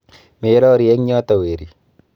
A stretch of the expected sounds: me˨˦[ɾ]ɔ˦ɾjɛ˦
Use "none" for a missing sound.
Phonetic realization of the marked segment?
ɾ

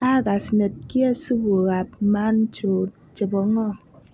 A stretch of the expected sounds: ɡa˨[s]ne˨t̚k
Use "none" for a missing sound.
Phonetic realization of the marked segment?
s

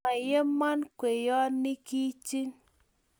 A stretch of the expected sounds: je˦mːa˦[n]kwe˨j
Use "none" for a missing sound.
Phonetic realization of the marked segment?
n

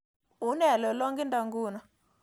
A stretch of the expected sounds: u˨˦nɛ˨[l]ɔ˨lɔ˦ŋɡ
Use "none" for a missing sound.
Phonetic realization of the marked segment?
l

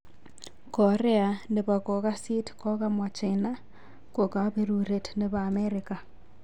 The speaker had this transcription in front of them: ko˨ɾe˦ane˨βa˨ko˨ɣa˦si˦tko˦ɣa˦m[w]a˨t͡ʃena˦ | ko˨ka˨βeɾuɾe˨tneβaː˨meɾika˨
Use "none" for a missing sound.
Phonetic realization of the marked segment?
w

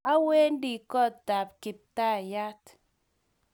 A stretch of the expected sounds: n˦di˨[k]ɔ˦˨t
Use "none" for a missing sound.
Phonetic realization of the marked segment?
k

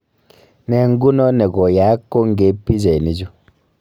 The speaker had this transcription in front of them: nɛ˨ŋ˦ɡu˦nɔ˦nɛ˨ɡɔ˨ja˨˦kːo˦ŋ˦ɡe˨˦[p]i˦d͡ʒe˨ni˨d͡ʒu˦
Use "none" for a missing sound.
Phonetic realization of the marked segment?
p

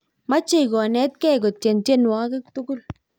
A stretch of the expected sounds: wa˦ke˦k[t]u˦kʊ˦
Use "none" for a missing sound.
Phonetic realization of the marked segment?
t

